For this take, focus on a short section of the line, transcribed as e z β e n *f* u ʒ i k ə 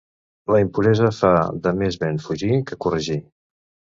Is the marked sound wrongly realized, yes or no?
no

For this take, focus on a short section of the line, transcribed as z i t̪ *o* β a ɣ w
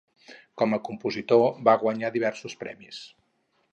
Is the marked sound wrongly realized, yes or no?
no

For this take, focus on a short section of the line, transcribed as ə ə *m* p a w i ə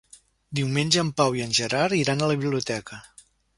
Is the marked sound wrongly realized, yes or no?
no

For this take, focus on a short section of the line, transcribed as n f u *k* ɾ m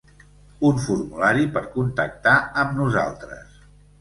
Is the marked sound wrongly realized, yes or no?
yes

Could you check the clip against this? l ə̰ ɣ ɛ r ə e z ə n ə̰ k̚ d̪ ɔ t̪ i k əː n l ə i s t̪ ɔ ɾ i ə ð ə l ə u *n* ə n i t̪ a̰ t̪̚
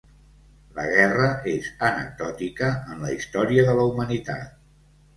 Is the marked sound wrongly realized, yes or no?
yes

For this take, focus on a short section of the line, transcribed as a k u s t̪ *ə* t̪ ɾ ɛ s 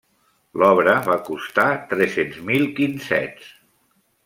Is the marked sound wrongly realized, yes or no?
yes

